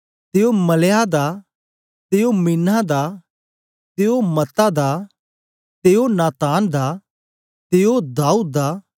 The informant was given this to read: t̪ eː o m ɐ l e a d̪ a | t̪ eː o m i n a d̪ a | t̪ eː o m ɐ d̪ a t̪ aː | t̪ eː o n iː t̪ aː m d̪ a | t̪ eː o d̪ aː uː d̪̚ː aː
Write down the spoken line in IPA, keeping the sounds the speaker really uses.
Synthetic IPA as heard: t̪ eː o m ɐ l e a d̪ a | t̪ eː o m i n a d̪ a | t̪ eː o m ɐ t̪ a d̪ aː | t̪ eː o n aː t̪ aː n d̪ a | t̪ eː o d̪ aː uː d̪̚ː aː